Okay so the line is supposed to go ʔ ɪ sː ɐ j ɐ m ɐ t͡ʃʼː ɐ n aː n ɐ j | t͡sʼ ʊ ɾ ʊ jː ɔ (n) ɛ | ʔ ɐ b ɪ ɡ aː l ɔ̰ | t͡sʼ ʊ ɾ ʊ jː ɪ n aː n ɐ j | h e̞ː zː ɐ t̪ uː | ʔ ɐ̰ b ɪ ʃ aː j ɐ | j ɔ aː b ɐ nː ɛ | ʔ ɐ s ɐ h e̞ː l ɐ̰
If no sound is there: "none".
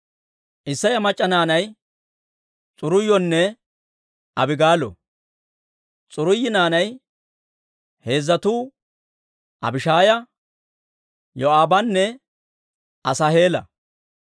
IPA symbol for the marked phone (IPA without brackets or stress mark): nː